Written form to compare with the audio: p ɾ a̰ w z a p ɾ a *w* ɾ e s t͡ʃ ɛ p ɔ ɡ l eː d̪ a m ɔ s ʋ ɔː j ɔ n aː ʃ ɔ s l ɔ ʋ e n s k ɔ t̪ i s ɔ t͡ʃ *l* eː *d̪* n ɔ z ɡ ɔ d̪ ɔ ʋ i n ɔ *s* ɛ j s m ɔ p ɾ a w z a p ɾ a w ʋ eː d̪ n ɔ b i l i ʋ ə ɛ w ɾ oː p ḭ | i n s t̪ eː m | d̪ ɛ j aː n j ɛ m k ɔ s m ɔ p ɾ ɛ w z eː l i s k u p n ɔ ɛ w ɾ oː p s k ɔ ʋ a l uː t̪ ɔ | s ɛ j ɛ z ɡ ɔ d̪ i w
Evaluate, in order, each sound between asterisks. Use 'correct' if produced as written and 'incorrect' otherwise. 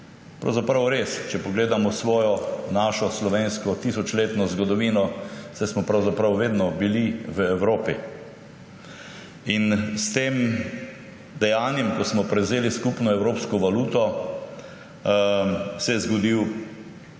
correct, correct, incorrect, correct

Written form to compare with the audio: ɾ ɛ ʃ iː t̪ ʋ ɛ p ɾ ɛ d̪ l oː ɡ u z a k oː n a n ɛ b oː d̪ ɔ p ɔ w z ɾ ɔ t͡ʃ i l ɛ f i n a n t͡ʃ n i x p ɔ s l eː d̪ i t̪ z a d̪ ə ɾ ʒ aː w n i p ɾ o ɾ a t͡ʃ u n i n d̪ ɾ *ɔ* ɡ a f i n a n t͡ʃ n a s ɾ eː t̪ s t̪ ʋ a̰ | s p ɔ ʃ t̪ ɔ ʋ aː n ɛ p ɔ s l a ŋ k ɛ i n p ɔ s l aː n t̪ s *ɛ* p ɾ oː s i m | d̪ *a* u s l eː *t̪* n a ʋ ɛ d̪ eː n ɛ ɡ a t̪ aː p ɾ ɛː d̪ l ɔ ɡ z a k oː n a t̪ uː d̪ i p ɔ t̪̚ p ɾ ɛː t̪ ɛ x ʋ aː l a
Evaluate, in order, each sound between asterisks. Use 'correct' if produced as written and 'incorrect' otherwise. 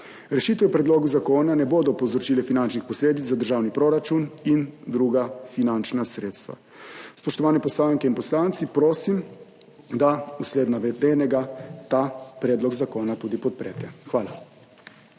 incorrect, incorrect, correct, incorrect

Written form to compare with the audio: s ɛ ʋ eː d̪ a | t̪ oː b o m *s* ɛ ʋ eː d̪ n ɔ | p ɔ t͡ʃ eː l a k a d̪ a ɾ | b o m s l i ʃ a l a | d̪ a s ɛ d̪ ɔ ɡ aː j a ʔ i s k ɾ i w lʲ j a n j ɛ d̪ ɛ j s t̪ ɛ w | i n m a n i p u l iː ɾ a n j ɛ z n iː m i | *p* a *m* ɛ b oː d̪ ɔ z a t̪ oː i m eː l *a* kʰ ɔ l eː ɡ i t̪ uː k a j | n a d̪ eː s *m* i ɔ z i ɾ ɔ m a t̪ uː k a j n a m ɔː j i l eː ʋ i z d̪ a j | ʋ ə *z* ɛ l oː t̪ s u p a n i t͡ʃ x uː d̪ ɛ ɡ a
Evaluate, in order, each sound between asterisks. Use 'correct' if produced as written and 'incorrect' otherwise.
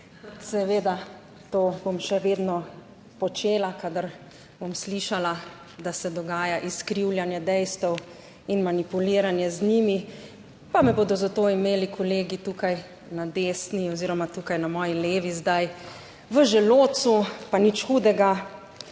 incorrect, correct, correct, incorrect, incorrect, incorrect

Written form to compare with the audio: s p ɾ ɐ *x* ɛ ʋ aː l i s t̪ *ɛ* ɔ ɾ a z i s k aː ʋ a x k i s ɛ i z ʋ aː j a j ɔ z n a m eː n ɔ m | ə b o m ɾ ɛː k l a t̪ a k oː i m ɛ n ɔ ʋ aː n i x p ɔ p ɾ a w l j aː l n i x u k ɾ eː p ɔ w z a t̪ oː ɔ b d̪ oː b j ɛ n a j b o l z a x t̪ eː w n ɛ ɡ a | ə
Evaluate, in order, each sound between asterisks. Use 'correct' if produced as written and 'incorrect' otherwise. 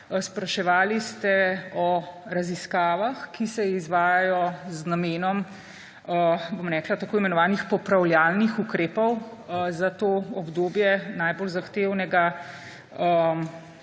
incorrect, correct

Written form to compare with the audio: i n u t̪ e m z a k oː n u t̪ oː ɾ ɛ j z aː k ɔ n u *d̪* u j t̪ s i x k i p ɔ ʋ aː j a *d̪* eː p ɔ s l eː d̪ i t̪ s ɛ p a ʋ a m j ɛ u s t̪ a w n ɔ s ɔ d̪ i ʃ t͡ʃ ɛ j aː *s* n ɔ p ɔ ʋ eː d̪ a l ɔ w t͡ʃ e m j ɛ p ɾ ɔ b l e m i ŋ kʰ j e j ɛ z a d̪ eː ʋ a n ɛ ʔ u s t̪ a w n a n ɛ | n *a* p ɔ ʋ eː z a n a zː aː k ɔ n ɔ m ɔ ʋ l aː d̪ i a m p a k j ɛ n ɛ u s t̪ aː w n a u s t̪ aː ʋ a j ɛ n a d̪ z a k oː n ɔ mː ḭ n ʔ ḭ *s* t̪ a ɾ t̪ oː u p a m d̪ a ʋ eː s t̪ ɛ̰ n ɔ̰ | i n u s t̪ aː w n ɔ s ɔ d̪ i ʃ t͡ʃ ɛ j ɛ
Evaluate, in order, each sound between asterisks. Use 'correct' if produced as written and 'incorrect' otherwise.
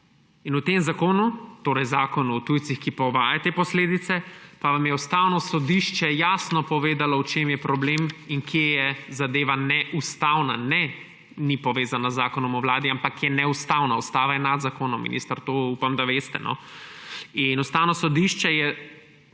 incorrect, incorrect, correct, incorrect, correct

